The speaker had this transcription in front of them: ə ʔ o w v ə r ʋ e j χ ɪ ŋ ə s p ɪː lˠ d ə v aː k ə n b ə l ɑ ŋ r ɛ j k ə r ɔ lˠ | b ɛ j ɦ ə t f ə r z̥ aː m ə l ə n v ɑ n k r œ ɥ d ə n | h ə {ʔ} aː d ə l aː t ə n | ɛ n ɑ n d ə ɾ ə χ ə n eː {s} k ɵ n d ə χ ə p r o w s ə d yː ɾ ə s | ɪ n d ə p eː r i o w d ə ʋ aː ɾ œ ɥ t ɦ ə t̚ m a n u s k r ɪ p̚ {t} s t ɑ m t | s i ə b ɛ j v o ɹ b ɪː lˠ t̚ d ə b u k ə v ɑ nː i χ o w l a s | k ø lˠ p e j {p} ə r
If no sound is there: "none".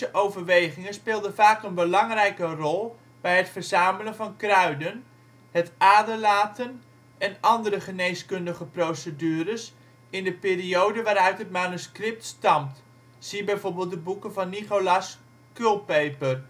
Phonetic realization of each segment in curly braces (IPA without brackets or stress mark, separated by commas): t, s, t, p